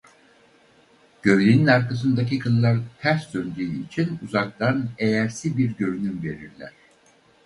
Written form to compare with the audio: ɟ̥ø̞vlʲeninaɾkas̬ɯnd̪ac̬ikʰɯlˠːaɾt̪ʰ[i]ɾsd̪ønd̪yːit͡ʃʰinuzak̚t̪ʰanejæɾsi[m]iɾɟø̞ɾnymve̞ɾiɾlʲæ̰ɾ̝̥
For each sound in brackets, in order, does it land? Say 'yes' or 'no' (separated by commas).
no, no